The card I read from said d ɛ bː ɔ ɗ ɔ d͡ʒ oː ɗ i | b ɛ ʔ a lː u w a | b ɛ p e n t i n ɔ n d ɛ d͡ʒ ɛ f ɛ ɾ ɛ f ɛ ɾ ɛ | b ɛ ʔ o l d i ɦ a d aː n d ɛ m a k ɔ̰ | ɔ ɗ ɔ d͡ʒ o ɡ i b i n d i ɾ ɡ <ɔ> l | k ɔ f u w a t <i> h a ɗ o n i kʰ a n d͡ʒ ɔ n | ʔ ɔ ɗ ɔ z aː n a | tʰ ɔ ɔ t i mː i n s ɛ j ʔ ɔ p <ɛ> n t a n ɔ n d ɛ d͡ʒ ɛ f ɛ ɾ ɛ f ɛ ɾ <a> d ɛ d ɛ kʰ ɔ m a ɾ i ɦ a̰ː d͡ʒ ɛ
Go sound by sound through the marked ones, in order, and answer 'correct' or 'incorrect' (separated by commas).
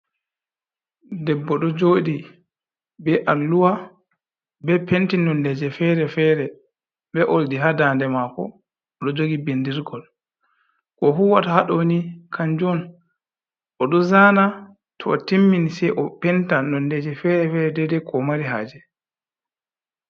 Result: correct, incorrect, correct, incorrect